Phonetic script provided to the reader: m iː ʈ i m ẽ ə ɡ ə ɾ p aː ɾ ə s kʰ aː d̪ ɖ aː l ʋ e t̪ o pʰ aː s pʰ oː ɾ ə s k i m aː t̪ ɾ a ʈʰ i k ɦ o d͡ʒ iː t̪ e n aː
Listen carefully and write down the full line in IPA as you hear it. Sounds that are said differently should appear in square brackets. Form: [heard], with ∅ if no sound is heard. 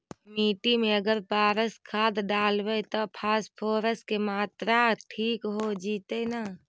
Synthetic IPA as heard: m iː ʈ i m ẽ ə ɡ ə ɾ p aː ɾ ə s kʰ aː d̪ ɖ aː l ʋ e t̪ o pʰ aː s pʰ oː ɾ ə s k [e] m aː t̪ ɾ a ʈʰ [iː] k ɦ o d͡ʒ iː t̪ e n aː